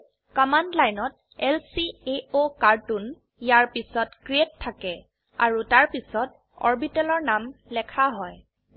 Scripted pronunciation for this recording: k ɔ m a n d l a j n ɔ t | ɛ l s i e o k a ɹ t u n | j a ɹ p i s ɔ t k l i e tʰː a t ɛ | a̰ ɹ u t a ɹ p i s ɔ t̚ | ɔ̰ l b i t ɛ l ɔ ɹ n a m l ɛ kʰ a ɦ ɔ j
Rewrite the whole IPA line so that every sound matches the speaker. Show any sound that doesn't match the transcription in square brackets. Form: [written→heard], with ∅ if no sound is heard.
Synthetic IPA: k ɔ m a n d l a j n ɔ t | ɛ l s i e o k a ɹ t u n | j a ɹ p i s ɔ t k [l→ɹ] i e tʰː a [t→k] ɛ | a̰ ɹ u t a ɹ p i s ɔ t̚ | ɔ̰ [l→ɹ] b i t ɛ l ɔ ɹ n a m l ɛ kʰ a ɦ ɔ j